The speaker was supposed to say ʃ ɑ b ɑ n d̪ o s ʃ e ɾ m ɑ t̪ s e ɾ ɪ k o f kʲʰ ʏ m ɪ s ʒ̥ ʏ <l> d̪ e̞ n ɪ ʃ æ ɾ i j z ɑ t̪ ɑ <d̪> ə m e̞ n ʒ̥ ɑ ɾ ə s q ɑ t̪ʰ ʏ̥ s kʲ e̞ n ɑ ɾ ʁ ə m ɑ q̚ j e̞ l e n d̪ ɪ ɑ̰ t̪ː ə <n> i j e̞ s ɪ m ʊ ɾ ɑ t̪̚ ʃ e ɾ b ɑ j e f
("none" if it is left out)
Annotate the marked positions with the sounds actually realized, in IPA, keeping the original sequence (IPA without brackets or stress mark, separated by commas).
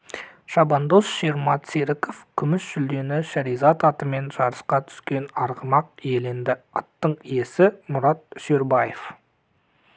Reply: l, t̪, ɴ